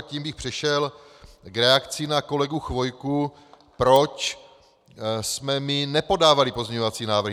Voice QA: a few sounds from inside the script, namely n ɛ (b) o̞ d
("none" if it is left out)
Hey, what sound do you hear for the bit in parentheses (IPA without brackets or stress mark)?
p